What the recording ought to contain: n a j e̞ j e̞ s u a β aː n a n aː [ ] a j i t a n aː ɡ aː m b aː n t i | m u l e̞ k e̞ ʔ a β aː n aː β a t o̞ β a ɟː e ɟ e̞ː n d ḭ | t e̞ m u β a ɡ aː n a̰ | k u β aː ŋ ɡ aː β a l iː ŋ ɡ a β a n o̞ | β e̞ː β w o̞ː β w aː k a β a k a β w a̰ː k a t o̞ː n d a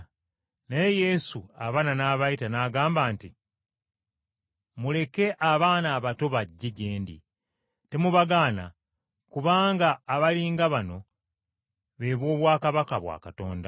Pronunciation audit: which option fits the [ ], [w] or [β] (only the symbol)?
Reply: β